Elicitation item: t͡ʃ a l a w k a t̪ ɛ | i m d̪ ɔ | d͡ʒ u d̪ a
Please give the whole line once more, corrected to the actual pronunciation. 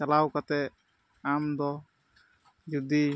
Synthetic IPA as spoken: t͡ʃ a l a w k a t̪ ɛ | a m d̪ ɔ | d͡ʒ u d̪ i